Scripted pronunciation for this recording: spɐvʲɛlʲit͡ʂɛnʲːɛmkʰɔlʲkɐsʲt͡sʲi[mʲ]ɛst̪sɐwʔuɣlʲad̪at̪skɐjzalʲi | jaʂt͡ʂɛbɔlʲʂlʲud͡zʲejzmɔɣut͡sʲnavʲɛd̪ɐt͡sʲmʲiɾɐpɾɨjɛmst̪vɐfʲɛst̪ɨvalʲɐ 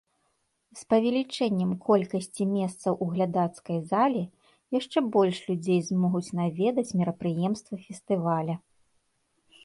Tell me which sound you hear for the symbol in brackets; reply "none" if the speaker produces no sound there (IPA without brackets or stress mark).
mʲ